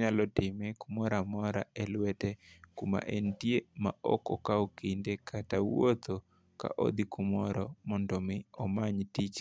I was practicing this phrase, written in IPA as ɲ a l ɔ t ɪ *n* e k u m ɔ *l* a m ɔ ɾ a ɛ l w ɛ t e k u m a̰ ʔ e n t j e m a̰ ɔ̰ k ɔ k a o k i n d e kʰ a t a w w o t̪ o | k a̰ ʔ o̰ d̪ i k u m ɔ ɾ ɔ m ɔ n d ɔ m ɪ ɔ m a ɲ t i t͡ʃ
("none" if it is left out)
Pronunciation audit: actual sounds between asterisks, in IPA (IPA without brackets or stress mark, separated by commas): m, ɾ